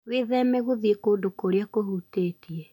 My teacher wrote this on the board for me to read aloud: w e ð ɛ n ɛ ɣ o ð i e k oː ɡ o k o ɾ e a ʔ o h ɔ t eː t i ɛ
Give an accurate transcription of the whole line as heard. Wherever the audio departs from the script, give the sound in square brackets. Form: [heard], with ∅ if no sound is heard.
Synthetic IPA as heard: w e ð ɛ [m] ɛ ɣ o ð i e k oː [d] o k o ɾ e a [k] o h [u] t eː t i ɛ